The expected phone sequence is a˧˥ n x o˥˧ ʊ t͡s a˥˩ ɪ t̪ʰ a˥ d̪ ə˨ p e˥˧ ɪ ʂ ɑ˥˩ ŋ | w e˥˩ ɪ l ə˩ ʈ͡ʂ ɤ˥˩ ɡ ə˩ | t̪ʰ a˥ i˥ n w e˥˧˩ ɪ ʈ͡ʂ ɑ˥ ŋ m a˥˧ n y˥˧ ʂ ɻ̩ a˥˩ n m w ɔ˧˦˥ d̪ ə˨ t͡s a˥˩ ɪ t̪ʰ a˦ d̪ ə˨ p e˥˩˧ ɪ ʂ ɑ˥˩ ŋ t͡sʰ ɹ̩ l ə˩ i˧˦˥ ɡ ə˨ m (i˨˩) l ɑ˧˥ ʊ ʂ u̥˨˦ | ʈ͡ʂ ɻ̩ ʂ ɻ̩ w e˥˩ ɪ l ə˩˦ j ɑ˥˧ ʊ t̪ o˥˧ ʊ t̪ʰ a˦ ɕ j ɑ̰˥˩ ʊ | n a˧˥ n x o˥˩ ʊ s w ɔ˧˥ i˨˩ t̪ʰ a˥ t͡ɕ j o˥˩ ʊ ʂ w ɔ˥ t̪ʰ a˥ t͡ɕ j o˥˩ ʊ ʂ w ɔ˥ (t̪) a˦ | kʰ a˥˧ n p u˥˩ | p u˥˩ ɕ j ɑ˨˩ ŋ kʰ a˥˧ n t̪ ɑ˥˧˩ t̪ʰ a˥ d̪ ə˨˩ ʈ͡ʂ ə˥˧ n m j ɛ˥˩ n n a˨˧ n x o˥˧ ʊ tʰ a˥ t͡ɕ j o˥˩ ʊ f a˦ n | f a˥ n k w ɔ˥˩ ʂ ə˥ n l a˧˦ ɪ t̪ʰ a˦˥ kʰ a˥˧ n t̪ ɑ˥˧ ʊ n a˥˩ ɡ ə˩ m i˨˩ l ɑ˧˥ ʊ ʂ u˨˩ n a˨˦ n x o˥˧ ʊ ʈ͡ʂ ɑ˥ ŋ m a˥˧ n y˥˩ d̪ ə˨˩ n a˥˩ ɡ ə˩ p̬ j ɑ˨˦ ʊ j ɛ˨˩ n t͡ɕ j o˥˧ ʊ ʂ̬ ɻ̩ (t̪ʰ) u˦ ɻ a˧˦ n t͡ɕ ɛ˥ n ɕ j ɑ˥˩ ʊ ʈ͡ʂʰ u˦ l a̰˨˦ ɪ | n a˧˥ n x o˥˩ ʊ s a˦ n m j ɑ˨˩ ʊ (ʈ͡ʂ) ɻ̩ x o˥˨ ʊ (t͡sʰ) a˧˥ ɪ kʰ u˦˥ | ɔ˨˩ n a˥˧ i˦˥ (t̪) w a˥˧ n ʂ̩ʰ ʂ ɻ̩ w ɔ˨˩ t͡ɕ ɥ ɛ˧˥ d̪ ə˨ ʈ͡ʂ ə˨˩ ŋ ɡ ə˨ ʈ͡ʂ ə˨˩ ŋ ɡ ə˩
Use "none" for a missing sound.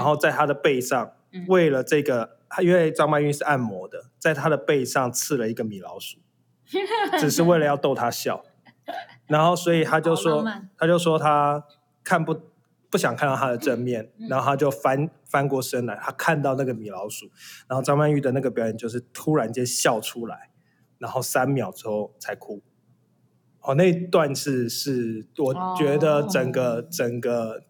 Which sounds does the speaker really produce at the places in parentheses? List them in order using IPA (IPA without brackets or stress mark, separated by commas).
i˨˩, t̪ʰ, t̪ʰ, ʈ͡ʂ, t͡sʰ, t̪